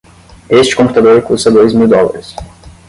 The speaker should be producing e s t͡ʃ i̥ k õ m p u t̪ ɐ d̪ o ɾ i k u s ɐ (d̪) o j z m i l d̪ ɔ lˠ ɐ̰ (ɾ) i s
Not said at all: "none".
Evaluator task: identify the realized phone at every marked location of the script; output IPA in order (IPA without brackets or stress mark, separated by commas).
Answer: d̪, ɾ